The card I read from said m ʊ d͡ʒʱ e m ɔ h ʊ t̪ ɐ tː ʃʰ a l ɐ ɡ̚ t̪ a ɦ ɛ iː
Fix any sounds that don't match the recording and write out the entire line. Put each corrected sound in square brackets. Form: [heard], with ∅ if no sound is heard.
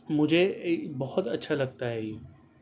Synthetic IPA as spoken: m ʊ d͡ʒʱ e [b] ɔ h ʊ t̪ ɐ tː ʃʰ a l ɐ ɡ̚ t̪ a ɦ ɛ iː

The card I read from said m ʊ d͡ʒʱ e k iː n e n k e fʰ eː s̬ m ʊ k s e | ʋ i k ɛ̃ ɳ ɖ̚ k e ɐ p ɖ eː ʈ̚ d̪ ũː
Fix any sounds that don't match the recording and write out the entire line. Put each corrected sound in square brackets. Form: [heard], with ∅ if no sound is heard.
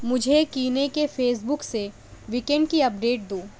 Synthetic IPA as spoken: m ʊ d͡ʒʱ e k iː n e [∅] k e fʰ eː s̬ [b] ʊ k s e | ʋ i k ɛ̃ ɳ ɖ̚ k [i] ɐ p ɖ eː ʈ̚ d̪ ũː

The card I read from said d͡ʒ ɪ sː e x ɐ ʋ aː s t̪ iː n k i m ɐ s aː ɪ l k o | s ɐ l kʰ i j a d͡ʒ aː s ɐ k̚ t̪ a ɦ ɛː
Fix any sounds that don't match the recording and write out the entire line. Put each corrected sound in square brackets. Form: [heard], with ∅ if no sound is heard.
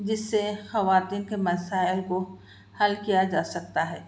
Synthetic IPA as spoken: d͡ʒ ɪ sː e x ɐ ʋ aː [∅] t̪ iː n k [e] m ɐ s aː ɪ l k o | [h] ɐ l [k] i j a d͡ʒ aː s ɐ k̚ t̪ a ɦ ɛː

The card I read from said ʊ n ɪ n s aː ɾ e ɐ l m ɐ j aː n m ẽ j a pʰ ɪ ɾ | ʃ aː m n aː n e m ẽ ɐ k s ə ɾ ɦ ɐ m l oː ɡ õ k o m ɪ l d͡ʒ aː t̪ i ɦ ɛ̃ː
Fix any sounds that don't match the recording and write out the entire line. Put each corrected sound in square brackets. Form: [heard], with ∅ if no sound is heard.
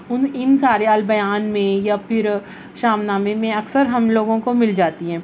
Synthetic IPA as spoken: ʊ n ɪ n s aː ɾ e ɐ l [b] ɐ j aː n m ẽ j a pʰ ɪ ɾ | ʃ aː m n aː [m] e m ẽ ɐ k s ə ɾ ɦ ɐ m l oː ɡ õ k o m ɪ l d͡ʒ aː t̪ i ɦ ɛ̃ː

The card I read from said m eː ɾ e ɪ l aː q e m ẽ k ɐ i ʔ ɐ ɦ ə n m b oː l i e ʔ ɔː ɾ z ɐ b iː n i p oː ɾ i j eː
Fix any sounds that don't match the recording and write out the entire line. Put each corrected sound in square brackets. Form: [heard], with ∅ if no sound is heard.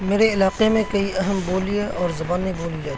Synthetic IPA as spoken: m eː ɾ e ɪ l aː q e m ẽ k ɐ i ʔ ɐ ɦ ə [∅] m b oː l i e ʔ ɔː ɾ z ɐ b [aː] n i [b] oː [l] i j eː

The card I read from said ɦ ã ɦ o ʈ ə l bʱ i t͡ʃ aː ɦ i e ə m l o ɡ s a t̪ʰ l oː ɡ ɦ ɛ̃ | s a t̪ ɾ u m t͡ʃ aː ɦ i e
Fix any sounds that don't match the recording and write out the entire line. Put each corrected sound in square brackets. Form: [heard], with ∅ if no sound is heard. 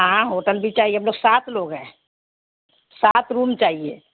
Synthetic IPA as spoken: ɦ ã ɦ o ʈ ə l bʱ i t͡ʃ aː ɦ i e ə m l o ɡ s a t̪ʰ l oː ɡ ɦ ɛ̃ | s a t̪ ɾ u m t͡ʃ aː ɦ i e

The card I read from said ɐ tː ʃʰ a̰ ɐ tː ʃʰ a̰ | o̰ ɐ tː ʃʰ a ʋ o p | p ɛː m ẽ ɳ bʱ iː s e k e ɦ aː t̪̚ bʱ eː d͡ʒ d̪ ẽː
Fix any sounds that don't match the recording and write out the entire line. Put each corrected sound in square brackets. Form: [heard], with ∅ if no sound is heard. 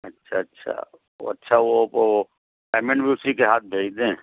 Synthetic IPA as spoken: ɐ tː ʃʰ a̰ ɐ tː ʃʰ a̰ | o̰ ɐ tː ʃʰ a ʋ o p | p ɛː m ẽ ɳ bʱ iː s [i] k e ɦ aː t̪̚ bʱ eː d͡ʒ d̪ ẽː

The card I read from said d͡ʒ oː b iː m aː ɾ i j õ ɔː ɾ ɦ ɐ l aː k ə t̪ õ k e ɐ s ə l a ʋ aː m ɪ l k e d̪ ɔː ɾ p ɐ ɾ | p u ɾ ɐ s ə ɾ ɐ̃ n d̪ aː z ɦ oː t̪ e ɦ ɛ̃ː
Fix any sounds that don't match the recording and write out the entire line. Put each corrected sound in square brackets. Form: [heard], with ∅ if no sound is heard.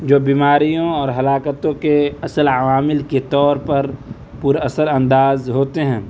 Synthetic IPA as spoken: d͡ʒ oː b iː m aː ɾ i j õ ɔː ɾ ɦ ɐ l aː k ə t̪ õ k e ɐ s ə l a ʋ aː m ɪ l k e [t̪] ɔː ɾ p ɐ ɾ | p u ɾ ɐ s ə ɾ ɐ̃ n d̪ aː z ɦ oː t̪ e ɦ ɛ̃ː

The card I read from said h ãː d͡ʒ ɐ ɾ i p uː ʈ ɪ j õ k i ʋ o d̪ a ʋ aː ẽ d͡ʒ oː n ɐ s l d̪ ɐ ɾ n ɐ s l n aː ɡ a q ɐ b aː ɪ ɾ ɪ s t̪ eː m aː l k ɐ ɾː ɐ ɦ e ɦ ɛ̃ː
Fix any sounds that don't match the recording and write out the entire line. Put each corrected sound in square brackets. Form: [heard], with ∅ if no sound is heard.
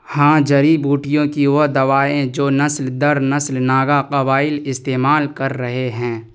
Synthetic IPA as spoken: h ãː d͡ʒ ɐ ɾ i [b] uː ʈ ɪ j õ k i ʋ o d̪ [ɐ] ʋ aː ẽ d͡ʒ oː n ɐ s l d̪ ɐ ɾ n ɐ s l n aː ɡ a q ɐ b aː ɪ [l] ɪ s t̪ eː m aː l k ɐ ɾː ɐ ɦ e ɦ ɛ̃ː

